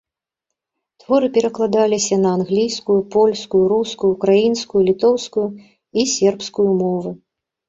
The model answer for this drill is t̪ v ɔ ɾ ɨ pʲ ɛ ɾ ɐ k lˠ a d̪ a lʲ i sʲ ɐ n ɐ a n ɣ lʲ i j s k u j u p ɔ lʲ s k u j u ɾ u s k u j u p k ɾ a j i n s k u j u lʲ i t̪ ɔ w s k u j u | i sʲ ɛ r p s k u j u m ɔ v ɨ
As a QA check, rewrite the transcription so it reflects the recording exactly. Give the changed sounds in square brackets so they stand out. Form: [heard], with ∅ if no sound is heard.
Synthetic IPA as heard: t̪ v ɔ ɾ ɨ pʲ ɛ ɾ ɐ k lˠ a d̪ a lʲ i sʲ ɐ n ɐ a n ɣ lʲ i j s k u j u p ɔ lʲ s k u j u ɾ u s k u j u [∅] k ɾ a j i n s k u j u lʲ i t̪ ɔ w s k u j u | i sʲ ɛ r p s k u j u m ɔ v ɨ